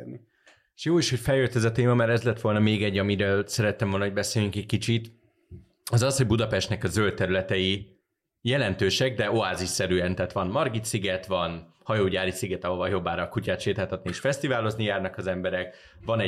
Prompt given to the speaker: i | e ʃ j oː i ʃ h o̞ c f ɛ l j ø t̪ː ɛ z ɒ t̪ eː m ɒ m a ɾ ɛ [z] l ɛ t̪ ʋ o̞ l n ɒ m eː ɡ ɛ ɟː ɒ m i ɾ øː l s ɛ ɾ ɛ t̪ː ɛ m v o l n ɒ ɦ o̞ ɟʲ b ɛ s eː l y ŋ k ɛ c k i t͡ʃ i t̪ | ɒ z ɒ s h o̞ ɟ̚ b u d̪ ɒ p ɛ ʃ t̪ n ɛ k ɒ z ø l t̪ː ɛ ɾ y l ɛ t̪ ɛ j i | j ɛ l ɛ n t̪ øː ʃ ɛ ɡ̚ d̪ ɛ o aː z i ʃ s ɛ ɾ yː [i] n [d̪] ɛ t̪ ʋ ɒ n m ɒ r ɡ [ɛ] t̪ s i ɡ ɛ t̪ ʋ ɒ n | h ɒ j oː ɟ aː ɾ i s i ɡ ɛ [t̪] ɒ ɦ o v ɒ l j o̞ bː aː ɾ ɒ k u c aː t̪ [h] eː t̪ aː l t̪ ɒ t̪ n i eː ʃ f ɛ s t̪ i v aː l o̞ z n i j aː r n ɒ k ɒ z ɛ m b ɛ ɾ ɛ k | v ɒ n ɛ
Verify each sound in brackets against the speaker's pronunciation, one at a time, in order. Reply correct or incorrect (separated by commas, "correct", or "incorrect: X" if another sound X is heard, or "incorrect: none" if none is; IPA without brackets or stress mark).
correct, incorrect: ɛ, incorrect: t̪, incorrect: i, correct, incorrect: ʃ